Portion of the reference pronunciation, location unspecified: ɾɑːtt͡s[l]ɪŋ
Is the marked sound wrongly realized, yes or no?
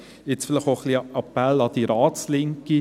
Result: no